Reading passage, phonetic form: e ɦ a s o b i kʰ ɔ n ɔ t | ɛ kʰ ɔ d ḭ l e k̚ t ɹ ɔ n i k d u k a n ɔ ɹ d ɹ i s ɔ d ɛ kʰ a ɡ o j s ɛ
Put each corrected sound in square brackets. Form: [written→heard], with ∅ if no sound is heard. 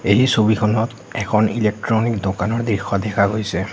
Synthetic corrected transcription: e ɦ [a→i] s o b i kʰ ɔ n ɔ t | ɛ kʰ ɔ [d→n] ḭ l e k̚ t ɹ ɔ n i k d [u→o] k a n ɔ ɹ d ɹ i [s→x] ɔ d ɛ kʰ a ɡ o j s ɛ